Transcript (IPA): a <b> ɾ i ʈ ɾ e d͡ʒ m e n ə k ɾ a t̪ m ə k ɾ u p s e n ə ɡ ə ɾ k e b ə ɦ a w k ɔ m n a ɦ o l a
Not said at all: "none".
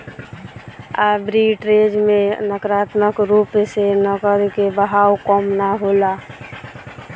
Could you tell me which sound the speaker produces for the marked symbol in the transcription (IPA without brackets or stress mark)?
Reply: b